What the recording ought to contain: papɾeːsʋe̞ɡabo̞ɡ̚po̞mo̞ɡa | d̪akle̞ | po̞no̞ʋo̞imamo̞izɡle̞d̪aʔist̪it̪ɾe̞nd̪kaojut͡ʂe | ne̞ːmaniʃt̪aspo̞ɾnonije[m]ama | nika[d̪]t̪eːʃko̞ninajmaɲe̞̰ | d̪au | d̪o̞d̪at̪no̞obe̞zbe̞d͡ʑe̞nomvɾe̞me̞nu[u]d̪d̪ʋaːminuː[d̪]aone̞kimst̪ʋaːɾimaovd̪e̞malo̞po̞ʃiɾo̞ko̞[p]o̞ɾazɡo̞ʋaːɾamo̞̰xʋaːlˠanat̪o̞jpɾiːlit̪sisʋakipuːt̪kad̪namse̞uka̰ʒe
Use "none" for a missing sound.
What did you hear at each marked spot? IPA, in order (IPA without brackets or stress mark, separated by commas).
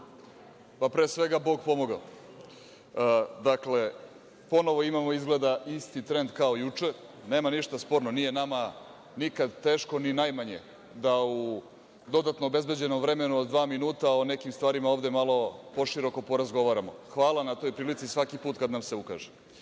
n, d̪, o, t̪, p